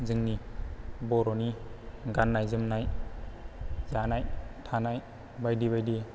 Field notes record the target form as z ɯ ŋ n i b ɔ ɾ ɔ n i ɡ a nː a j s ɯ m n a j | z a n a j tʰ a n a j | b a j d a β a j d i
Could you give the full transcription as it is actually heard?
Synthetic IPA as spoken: z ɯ ŋ n i b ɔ ɾ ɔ n i ɡ a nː a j z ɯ m n a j | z a n a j tʰ a n a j | b a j d i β a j d i